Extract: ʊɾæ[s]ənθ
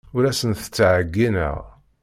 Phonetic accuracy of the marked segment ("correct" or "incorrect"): correct